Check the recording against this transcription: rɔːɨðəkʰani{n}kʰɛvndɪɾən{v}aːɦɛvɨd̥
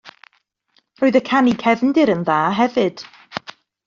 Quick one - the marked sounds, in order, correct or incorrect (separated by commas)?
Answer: incorrect, incorrect